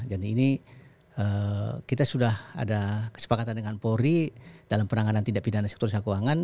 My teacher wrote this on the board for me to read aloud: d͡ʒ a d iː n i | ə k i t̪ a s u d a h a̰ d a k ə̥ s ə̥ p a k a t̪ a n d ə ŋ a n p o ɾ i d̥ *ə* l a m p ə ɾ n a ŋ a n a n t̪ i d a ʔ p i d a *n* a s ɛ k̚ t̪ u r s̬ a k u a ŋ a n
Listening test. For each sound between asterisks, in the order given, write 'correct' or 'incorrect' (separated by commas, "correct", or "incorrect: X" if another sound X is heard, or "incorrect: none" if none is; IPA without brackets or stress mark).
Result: incorrect: a, correct